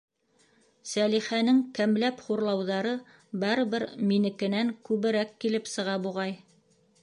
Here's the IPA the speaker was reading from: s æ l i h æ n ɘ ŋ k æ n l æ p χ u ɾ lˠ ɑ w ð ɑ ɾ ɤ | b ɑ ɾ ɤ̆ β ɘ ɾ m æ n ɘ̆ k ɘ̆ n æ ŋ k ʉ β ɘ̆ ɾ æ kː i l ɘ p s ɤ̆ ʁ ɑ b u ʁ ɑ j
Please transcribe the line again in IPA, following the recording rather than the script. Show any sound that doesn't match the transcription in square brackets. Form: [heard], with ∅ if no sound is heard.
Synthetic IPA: s æ l i [χ] æ n ɘ ŋ k æ [m] l æ p χ u ɾ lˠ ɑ w ð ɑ ɾ ɤ | b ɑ ɾ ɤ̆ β ɘ ɾ m [i] n ɘ̆ k ɘ̆ n æ ŋ k ʉ β ɘ̆ ɾ æ kː i l ɘ p s ɤ̆ ʁ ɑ b u ʁ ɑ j